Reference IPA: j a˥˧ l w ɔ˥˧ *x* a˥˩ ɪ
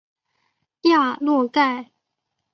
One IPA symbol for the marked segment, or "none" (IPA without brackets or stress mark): k